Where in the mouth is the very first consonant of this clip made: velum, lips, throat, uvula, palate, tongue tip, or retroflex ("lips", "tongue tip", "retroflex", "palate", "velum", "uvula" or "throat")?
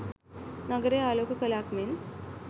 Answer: tongue tip